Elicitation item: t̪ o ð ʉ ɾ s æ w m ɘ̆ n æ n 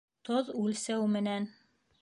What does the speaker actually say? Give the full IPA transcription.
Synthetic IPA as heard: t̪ o ð ʉ l s æ w m ɘ̆ n æ n